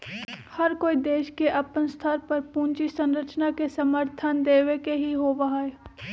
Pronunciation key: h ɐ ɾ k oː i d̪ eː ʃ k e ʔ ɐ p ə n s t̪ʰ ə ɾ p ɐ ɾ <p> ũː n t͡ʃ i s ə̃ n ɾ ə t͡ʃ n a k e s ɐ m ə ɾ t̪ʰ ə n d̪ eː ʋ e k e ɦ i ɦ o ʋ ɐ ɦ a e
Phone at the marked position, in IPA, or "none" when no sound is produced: p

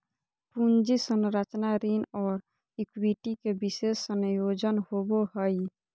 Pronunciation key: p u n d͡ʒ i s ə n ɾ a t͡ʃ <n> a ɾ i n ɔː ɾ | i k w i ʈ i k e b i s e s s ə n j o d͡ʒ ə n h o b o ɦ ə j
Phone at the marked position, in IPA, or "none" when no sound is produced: n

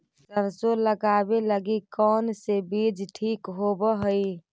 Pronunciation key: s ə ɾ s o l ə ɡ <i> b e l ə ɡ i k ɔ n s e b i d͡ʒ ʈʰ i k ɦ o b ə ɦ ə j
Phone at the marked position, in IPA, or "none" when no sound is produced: a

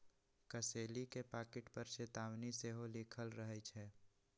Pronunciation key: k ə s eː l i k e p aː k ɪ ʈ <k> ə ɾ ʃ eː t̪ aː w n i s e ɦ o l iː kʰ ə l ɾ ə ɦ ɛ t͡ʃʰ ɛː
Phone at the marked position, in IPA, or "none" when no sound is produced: p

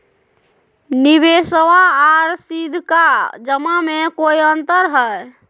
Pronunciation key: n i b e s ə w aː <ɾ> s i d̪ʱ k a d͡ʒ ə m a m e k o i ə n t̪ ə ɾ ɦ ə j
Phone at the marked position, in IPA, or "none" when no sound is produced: ɾ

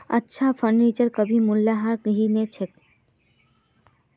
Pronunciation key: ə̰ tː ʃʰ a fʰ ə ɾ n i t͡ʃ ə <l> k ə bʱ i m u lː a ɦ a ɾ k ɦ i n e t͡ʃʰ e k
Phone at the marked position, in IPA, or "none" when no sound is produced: ɾ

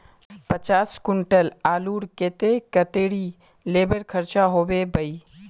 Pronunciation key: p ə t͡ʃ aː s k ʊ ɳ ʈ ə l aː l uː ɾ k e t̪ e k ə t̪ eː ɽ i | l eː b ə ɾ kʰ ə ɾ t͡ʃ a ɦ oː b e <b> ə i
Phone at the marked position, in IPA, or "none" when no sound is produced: b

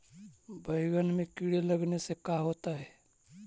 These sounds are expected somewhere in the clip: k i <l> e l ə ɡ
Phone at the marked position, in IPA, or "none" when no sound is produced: ɽ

